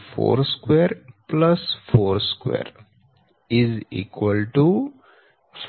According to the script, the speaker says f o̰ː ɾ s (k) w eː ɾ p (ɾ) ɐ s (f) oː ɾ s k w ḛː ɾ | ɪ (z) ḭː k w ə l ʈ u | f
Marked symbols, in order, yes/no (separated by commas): yes, no, yes, yes